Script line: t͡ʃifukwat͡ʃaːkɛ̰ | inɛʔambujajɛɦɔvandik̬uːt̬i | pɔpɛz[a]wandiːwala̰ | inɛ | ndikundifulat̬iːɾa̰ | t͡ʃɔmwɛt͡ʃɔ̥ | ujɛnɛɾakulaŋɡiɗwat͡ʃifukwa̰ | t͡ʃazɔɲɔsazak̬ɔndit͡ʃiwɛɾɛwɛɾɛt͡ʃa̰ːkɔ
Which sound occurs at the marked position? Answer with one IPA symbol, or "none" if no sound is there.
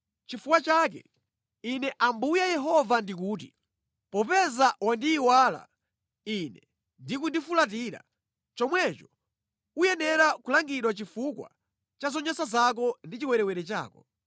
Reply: a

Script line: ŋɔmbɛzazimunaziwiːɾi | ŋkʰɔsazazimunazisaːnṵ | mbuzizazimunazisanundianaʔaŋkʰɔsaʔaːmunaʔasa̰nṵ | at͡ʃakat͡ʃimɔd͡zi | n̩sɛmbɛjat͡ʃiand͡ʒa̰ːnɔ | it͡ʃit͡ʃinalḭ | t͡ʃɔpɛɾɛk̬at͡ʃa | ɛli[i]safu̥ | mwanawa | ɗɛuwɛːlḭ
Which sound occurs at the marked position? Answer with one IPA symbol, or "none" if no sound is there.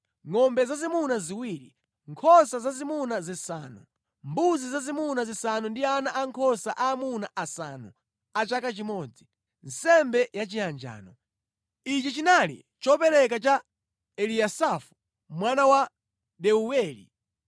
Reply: a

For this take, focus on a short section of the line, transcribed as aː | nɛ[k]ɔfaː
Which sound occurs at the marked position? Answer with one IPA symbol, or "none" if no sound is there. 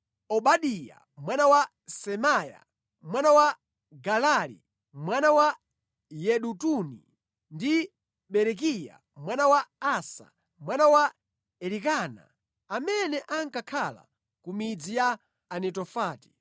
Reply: t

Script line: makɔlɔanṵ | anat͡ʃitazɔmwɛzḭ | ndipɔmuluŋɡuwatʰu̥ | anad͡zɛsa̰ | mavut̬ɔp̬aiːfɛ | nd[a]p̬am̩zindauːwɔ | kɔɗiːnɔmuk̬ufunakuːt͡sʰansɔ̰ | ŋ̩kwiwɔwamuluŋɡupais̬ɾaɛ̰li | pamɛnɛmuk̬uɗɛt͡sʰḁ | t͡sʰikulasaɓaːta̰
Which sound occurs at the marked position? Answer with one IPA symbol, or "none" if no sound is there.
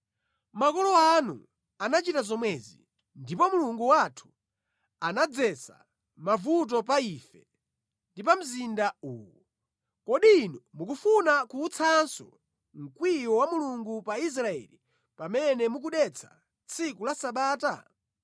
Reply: i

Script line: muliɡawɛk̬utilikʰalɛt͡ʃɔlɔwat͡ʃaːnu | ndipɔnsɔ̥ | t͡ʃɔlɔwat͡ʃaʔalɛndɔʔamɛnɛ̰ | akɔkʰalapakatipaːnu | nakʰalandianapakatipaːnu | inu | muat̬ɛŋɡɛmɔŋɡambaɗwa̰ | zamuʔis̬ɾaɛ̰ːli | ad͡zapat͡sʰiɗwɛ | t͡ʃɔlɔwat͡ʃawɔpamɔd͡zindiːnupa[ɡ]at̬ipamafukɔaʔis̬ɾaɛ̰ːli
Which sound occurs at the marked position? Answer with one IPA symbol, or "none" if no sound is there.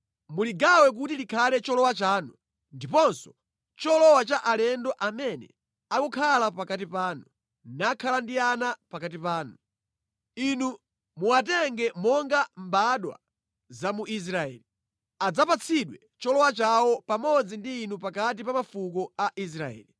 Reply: k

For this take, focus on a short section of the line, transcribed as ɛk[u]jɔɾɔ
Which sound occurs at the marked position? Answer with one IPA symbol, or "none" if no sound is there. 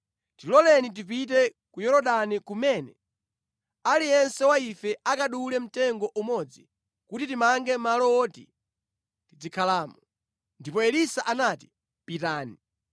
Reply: u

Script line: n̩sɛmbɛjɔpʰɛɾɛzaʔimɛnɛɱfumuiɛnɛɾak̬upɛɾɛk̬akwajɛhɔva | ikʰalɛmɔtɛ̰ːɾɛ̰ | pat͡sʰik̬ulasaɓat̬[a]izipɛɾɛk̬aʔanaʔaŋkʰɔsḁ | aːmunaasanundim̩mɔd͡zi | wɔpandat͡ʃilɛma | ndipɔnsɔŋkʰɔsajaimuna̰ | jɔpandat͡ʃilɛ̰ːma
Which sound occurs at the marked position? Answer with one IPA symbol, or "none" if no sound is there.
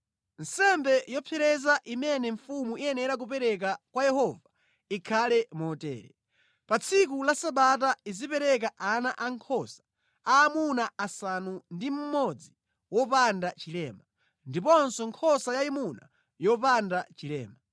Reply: a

